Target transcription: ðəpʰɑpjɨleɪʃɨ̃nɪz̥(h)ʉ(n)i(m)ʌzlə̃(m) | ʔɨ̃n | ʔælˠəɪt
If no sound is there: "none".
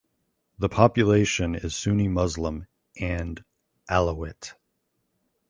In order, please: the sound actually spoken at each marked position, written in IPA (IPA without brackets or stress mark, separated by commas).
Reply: s, n, m, m